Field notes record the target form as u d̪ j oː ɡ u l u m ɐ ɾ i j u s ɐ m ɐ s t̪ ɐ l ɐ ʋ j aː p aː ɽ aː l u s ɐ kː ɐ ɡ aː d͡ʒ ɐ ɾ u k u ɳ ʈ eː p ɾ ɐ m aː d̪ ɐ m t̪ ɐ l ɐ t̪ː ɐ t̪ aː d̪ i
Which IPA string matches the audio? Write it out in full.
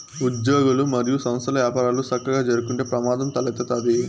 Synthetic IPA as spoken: u d̪ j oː ɡ u l u m ɐ ɾ i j u s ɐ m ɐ s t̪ ɐ l ɐ ʋ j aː p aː ɾ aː l u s ɐ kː ɐ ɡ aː d͡ʒ ɐ ɾ u k u ɳ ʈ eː p ɾ ɐ m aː d̪ ɐ m t̪ ɐ l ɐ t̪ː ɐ t̪ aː d̪ i